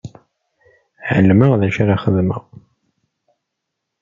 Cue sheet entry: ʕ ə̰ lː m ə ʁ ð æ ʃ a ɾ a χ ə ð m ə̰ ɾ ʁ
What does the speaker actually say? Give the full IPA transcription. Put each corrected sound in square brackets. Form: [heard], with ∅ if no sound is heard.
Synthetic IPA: ʕ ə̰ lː m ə ʁ ð æ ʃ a ɾ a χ ə ð m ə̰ [∅] ʁ

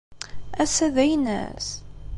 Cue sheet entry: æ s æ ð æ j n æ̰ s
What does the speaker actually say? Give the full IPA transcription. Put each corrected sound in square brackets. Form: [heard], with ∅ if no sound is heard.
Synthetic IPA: æ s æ ð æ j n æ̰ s

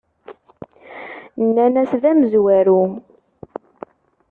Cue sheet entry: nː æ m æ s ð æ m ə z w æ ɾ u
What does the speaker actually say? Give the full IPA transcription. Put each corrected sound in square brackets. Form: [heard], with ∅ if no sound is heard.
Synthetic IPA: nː æ [n] æ s ð æ m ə z w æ ɾ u

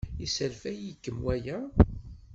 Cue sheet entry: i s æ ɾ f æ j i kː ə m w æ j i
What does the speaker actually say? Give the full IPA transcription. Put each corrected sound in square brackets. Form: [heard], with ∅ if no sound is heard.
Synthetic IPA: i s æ [l] f æ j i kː ə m w æ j [æ]

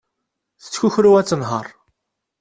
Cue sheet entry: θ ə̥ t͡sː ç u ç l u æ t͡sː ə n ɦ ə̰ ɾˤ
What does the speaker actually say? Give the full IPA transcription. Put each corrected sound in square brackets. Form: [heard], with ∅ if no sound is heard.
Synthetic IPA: θ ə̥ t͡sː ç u ç [ɾ] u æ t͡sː ə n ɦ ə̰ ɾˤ

